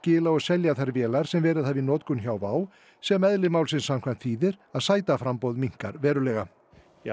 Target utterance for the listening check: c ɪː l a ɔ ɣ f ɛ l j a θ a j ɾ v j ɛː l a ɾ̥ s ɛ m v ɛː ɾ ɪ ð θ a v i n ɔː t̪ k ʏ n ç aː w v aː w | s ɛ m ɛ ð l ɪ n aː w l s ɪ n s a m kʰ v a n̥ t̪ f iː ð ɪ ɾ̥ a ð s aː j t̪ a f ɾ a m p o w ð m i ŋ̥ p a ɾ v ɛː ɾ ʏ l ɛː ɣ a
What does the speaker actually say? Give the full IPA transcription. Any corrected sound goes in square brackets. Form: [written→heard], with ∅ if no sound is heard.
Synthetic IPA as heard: c ɪː l a ɔ ɣ [f→s] ɛ l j a θ a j ɾ v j ɛː l a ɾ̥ s ɛ m v ɛː ɾ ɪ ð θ a v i n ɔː t̪ k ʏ n ç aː w v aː w | s ɛ m ɛ ð l ɪ [n→m] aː w l s ɪ n s a m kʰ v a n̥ t̪ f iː ð ɪ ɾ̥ a ð s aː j t̪ a f ɾ a m p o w ð m i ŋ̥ [p→k] a ɾ v ɛː ɾ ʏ l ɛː ɣ a